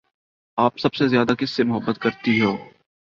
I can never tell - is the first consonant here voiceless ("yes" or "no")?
yes